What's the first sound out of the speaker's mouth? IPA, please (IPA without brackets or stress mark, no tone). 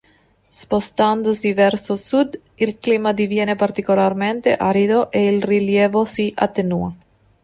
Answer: s